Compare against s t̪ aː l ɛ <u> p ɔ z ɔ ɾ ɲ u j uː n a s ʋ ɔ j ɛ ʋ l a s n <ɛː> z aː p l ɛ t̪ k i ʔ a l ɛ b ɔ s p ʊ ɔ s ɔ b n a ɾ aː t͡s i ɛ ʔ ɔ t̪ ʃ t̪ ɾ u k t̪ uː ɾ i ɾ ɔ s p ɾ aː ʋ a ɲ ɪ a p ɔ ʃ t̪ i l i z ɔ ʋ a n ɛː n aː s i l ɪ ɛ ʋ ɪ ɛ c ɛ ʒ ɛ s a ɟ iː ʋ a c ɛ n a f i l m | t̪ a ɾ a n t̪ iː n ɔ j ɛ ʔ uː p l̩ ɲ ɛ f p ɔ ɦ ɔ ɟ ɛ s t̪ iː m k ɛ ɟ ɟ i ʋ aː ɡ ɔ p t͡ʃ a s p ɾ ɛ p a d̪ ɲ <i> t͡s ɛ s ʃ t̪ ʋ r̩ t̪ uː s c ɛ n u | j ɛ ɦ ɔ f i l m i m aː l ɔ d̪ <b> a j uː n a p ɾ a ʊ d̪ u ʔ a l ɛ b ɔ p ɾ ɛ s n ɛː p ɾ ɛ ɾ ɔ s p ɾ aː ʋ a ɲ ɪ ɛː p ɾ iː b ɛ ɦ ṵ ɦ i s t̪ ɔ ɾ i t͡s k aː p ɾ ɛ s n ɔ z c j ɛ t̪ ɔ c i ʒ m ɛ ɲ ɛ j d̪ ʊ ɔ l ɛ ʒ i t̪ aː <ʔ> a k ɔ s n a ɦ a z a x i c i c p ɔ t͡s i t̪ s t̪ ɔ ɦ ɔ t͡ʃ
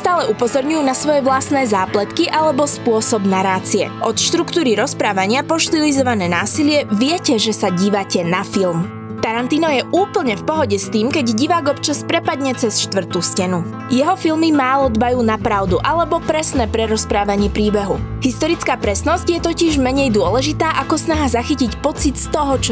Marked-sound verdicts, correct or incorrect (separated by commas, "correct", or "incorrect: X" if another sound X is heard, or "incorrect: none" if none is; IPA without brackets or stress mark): correct, correct, incorrect: ɛ, correct, correct